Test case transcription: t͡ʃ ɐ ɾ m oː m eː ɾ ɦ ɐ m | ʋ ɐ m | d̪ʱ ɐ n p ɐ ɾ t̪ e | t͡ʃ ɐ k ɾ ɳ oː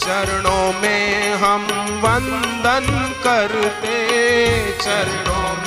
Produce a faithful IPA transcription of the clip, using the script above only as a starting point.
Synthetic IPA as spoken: t͡ʃ ɐ ɾ ɳ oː m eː ɦ ɐ m | ʋ ɐ n | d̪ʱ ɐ n k ɐ ɾ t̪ e | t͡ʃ ɐ ɾ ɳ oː